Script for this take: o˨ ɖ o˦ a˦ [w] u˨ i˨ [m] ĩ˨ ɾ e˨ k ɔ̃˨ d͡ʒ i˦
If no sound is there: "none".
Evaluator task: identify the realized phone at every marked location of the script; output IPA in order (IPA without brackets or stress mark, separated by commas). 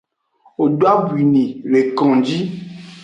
b, n